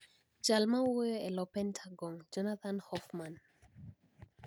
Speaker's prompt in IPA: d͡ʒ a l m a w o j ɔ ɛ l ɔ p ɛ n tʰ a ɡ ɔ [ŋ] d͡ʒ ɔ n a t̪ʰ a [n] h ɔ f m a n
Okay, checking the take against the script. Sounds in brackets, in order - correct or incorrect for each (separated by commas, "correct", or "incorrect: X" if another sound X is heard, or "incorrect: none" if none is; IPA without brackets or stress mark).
correct, correct